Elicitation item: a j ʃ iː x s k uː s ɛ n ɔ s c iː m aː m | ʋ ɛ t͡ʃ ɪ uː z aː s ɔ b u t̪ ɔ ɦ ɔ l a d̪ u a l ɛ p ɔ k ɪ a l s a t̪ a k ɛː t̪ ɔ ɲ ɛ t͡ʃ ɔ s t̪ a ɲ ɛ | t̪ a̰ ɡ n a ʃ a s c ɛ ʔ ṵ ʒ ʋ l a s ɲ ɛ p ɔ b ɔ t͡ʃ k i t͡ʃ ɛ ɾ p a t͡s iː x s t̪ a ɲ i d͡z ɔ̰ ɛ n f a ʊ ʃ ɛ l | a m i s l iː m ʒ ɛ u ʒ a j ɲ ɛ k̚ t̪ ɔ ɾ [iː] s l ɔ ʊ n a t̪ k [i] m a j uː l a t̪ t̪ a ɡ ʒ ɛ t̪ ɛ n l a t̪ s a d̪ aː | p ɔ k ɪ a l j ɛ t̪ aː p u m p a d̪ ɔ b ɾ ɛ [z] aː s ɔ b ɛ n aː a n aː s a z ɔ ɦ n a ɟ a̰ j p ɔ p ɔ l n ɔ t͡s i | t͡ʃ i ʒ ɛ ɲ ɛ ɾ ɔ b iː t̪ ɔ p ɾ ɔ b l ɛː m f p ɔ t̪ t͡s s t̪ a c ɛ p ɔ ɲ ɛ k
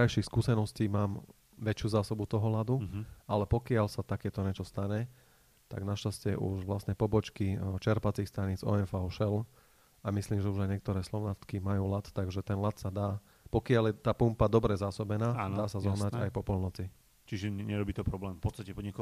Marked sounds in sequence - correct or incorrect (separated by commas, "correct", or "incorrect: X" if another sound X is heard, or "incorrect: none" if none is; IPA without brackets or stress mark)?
incorrect: ɛː, correct, correct